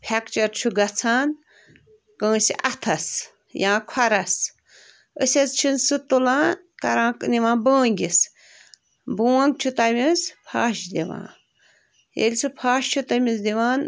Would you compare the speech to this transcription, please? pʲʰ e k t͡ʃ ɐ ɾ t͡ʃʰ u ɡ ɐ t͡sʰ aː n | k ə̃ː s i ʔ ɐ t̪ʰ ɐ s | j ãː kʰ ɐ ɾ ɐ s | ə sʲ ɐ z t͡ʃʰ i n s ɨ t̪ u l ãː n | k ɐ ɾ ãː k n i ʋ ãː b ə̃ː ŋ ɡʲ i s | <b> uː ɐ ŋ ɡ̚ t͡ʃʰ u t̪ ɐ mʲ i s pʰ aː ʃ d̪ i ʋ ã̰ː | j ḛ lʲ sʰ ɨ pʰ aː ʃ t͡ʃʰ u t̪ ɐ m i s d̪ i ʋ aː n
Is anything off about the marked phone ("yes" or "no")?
no